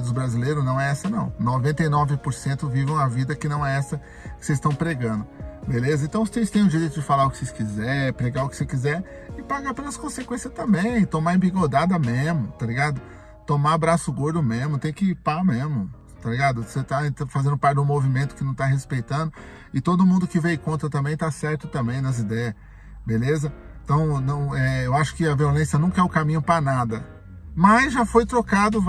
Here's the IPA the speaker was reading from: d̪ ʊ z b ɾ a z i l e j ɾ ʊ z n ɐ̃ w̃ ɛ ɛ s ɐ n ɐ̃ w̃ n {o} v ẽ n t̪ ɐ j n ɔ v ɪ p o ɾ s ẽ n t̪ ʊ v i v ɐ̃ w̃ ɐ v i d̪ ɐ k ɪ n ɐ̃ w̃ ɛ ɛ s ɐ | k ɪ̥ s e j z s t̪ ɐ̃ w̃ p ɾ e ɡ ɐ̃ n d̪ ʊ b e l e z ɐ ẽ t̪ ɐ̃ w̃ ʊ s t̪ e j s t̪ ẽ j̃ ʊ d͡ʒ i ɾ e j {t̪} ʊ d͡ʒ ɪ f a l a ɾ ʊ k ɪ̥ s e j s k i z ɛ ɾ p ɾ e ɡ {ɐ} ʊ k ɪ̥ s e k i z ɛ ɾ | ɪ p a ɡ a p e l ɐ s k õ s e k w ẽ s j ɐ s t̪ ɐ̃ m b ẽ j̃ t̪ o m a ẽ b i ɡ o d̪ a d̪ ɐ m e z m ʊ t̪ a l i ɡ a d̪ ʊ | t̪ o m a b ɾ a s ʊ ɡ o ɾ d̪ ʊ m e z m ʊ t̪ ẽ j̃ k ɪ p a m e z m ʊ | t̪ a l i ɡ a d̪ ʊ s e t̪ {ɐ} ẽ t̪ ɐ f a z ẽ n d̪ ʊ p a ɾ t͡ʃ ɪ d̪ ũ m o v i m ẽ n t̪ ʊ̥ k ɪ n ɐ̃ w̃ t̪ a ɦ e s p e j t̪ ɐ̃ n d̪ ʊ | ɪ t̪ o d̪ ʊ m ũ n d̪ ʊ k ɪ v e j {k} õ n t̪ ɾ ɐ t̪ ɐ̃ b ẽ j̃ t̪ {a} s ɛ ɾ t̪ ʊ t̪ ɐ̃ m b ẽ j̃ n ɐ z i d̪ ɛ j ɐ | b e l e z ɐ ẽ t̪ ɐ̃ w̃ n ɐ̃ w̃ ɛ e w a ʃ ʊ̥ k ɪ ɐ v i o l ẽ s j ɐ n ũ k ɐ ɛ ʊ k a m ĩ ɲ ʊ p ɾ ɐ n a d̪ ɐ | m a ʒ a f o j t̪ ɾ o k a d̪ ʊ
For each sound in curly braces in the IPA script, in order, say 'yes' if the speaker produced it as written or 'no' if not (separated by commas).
yes, yes, no, no, yes, yes